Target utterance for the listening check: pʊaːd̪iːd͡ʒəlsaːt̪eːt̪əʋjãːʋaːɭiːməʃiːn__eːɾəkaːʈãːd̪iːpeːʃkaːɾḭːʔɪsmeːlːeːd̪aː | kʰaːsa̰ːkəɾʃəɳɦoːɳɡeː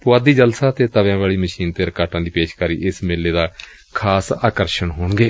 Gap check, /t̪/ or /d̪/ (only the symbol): t̪